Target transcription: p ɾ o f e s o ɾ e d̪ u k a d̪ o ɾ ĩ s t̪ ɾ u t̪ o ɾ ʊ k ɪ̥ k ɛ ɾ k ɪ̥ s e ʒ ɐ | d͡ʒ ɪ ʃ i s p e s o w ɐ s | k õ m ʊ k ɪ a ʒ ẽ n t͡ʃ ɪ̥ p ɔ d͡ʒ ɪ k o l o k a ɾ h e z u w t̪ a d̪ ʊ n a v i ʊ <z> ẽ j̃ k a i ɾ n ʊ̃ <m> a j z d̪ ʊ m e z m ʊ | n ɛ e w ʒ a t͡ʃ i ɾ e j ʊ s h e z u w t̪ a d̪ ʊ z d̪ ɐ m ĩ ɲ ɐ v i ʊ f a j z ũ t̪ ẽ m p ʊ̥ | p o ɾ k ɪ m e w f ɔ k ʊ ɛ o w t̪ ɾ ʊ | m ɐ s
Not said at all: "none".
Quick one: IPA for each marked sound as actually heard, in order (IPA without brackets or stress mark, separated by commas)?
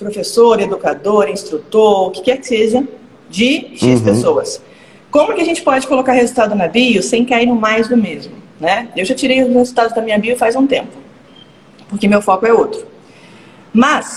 s, m